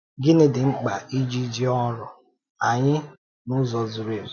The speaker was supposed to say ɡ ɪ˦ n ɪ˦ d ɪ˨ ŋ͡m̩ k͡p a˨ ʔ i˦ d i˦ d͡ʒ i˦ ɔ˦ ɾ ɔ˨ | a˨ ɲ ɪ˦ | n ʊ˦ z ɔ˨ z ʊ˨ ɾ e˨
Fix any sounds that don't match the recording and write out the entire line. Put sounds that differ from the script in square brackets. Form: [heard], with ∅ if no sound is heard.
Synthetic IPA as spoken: ɡ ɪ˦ n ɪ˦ d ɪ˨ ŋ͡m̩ k͡p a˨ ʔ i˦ [d͡ʒ] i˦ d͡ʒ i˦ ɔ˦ ɾ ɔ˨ | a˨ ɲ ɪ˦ | n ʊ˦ z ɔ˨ z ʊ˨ ɾ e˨

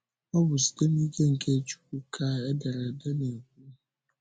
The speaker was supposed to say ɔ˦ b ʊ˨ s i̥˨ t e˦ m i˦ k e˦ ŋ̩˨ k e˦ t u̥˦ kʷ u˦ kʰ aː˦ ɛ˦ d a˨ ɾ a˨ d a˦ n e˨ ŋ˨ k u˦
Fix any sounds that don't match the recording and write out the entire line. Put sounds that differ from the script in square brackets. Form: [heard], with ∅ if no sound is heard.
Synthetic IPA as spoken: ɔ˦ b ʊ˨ s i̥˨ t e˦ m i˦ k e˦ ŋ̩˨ k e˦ [t͡ʃ] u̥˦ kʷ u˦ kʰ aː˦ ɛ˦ d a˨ ɾ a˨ d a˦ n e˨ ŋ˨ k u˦

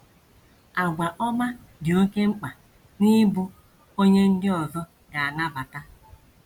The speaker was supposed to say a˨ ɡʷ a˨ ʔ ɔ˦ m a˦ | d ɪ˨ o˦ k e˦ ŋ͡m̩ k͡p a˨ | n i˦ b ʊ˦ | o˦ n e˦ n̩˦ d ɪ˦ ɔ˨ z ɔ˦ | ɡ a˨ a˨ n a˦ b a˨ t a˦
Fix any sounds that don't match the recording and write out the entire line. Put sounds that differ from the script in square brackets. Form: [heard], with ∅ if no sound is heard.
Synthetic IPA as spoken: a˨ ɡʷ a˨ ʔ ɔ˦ m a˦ | d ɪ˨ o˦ k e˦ ŋ͡m̩ k͡p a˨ | n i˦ b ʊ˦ | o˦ [ɲ] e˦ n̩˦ d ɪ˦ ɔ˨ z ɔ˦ | ɡ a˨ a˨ n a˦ b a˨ t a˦

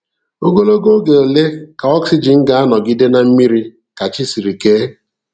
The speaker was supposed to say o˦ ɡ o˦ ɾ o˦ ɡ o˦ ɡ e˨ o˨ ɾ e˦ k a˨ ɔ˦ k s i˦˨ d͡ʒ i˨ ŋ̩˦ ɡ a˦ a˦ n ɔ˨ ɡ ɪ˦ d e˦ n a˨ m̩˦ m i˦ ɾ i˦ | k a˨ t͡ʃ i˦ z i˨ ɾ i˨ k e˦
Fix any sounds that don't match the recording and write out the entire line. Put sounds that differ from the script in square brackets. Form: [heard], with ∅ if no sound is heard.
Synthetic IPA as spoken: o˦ ɡ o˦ [l] o˦ ɡ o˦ ɡ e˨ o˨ [l] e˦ k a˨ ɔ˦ k s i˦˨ d͡ʒ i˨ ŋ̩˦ ɡ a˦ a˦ n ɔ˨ ɡ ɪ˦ d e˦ n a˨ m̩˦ m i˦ ɾ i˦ | k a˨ t͡ʃ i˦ [s] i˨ ɾ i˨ k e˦

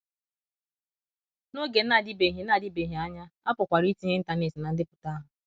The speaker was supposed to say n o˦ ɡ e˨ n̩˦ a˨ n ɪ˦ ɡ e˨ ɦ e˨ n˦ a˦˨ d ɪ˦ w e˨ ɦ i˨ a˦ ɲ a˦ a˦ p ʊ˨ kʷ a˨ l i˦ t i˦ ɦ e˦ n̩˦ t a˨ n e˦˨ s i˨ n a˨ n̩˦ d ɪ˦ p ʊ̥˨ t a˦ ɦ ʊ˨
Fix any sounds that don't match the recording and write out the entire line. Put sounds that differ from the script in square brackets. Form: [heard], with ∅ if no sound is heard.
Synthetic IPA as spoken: n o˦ ɡ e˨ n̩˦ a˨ [d] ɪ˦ [b] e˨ ɦ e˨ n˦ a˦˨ d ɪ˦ [b] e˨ ɦ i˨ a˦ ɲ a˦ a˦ p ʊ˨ kʷ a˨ [ɾ] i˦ t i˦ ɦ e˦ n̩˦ t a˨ n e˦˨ s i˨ n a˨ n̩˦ d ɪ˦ p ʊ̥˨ t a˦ ɦ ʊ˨

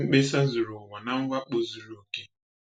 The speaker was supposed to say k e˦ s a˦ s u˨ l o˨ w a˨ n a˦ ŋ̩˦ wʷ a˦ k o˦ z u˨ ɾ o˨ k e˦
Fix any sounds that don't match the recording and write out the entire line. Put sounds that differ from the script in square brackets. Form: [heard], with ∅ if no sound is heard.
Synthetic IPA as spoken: [k͡p] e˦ s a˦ [z] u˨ [ɾ] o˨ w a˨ n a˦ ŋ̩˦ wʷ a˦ [k͡p] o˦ z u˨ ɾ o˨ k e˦

